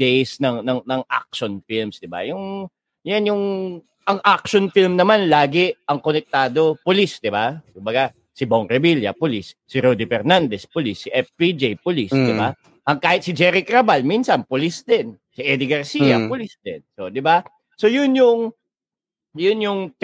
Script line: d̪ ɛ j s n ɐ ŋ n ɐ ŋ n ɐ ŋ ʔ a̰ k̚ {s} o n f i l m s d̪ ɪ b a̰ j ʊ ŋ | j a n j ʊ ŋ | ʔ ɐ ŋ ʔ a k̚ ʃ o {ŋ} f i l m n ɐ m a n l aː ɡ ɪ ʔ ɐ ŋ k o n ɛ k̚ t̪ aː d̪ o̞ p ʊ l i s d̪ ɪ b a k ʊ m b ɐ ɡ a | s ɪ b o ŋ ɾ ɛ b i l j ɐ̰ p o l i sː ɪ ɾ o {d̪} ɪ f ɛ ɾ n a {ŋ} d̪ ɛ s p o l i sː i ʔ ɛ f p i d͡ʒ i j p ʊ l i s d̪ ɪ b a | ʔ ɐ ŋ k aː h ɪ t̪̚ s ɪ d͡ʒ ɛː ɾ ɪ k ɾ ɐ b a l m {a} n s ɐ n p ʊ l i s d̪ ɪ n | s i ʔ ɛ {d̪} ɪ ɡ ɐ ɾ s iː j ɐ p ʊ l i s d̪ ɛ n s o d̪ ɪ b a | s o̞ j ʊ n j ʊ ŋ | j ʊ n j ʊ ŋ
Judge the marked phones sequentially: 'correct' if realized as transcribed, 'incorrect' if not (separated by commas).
incorrect, incorrect, correct, incorrect, incorrect, correct